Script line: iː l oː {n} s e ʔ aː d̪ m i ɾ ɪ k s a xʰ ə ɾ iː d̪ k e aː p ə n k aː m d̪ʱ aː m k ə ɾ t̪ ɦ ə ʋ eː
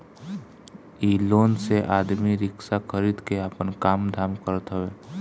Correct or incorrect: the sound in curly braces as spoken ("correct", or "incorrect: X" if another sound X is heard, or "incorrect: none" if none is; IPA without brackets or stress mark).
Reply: correct